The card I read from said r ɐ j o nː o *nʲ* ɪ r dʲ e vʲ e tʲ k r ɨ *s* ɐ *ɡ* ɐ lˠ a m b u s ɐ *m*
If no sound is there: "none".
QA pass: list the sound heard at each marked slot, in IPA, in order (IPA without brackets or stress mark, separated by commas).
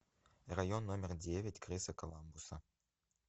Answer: mʲ, s, k, none